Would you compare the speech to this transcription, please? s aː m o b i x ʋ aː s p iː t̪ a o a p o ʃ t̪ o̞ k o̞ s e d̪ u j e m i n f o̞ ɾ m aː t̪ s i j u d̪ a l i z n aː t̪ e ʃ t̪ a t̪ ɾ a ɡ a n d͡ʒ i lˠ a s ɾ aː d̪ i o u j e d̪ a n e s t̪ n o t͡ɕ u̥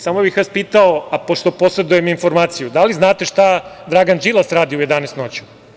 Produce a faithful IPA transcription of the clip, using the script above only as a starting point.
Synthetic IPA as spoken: s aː m o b i x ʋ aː s p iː t̪ a o a p o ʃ t̪ o̞ p o̞ s e d̪ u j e m i n f o̞ ɾ m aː t̪ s i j u d̪ a l i z n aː t̪ e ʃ t̪ a d̪ ɾ a ɡ a n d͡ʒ i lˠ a s ɾ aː d̪ i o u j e d̪ a n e s t̪ n o t͡ɕ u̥